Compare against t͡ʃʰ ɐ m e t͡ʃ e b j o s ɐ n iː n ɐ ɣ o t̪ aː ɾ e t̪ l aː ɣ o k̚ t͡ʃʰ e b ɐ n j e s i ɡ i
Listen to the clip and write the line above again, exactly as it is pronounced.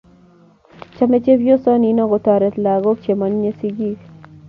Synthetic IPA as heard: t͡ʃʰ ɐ m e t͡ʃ e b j o s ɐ n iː n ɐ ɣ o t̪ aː ɾ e t̪ l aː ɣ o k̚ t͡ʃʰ e m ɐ n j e s i ɡ i